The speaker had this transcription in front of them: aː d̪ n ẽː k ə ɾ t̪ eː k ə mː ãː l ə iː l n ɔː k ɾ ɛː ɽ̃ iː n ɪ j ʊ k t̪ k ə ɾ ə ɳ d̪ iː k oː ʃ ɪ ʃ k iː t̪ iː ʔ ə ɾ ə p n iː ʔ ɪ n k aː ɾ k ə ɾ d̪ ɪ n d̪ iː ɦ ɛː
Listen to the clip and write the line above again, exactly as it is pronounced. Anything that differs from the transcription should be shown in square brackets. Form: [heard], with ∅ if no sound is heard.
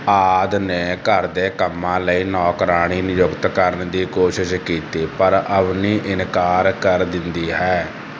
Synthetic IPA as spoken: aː d̪ n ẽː k ə ɾ [d̪] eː k ə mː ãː l ə iː [∅] n ɔː k ɾ [aː] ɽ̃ iː n ɪ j ʊ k t̪ k ə ɾ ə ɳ d̪ iː k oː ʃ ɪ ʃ k iː t̪ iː [p] ə ɾ ə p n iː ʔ ɪ n k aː ɾ k ə ɾ d̪ ɪ n d̪ iː ɦ ɛː